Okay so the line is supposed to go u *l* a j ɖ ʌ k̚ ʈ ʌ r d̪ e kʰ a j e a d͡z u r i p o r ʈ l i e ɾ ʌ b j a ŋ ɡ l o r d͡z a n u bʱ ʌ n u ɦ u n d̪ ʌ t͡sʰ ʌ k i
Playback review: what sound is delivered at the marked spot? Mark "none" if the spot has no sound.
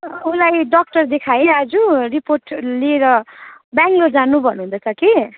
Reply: l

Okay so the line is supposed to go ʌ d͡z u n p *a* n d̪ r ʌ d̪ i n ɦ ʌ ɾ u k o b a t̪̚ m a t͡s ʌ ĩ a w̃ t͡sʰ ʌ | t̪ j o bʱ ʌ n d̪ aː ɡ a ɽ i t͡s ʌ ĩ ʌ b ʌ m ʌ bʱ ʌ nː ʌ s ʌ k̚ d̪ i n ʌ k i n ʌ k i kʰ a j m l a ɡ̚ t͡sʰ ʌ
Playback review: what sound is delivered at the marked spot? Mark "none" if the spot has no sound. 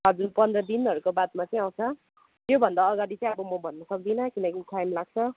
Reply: ʌ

